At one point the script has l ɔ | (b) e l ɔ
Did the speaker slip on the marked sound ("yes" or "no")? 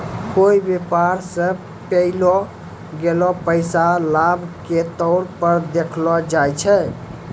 yes